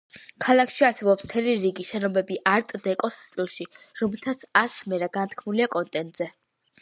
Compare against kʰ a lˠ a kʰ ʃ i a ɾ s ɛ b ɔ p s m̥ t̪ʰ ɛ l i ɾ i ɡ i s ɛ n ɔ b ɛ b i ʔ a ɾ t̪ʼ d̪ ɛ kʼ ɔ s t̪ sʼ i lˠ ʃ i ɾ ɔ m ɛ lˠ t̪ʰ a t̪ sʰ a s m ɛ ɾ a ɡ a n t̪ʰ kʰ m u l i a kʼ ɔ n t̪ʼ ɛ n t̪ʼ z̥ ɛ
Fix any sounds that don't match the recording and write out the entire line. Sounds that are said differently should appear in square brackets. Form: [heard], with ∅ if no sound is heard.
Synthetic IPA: kʰ a lˠ a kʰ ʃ i a ɾ s ɛ b ɔ p s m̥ t̪ʰ ɛ l i ɾ i ɡ i [ʃ] ɛ n ɔ b ɛ b i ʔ a ɾ t̪ʼ d̪ ɛ kʼ ɔ s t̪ sʼ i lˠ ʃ i ɾ ɔ m ɛ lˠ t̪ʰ a t̪ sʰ a s m ɛ ɾ a ɡ a n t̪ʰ kʰ m u l i a kʼ ɔ n t̪ʼ ɛ n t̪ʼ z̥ ɛ